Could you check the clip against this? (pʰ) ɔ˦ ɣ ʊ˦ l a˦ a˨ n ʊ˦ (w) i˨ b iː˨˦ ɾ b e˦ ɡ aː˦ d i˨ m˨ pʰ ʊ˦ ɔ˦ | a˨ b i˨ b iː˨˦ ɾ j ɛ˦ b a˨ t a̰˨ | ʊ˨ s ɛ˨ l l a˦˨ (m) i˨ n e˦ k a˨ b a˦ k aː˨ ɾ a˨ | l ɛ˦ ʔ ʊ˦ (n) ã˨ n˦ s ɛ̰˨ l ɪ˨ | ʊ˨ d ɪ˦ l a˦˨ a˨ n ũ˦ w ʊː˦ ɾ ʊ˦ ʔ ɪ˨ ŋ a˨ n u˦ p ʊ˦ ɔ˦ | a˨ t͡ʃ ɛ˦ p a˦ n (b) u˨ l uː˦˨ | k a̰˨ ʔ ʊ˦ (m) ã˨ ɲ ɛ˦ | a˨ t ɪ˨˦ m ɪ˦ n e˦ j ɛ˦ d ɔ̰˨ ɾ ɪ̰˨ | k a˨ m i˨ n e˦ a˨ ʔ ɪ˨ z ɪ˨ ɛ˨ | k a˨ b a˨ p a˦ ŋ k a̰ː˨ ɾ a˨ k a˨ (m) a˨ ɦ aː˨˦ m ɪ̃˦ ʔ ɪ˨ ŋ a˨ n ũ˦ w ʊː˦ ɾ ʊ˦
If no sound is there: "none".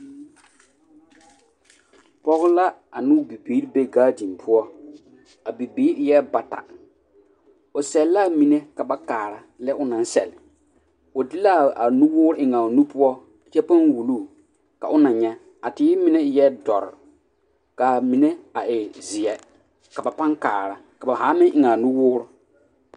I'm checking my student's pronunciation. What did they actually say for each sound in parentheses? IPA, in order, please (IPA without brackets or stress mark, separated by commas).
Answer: p, b, m, n, w, n, b